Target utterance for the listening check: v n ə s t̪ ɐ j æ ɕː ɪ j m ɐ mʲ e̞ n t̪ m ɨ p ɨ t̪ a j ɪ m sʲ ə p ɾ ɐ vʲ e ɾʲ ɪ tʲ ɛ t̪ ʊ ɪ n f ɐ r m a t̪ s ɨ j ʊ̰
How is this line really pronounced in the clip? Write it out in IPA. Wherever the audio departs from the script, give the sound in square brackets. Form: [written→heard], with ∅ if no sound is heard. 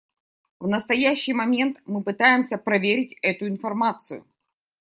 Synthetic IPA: v n ə s t̪ ɐ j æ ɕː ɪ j m ɐ mʲ e̞ n t̪ m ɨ p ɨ t̪ a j ɪ m sʲ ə p ɾ ɐ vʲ e ɾʲ ɪ tʲ ɛ t̪ ʊ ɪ n f ɐ r m a t̪ s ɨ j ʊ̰